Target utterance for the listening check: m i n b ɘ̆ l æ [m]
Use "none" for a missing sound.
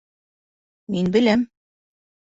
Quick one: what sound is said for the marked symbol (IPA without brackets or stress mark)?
m